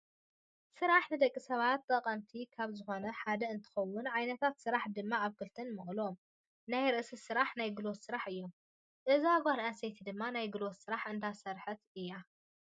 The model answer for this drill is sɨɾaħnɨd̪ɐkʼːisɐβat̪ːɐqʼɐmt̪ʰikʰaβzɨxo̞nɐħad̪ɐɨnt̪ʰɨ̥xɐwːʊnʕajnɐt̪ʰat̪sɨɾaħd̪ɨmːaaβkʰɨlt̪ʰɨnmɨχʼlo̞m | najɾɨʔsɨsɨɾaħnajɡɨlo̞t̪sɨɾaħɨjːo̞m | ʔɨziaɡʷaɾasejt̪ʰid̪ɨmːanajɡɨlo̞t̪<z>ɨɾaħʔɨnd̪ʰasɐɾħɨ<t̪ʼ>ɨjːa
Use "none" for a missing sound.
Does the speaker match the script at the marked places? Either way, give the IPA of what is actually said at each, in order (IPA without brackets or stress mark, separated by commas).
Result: s, t̪